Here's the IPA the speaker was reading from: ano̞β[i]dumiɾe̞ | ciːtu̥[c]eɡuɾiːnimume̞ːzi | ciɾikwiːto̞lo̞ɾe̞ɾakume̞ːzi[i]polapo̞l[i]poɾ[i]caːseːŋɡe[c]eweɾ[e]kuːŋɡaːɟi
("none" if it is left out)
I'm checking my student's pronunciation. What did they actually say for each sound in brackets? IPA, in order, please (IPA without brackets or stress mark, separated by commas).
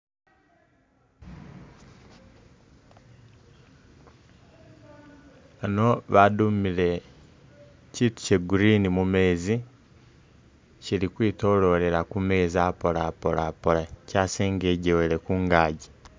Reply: a, c, a, a, a, ɟ, e